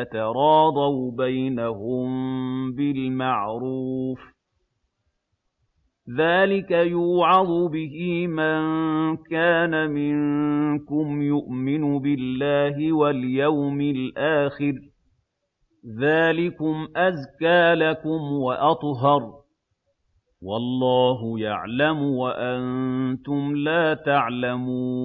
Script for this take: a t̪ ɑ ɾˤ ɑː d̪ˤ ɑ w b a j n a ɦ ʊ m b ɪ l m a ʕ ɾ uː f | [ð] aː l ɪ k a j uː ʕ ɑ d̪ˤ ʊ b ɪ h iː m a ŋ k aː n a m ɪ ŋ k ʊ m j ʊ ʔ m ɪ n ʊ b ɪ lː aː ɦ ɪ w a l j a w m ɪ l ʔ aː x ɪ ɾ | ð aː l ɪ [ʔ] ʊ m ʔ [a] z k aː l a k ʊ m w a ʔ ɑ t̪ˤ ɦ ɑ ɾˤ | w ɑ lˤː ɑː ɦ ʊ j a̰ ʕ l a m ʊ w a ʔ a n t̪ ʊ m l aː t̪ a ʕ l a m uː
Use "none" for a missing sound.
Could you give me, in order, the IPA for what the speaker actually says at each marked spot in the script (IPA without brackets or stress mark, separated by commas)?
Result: ð, k, a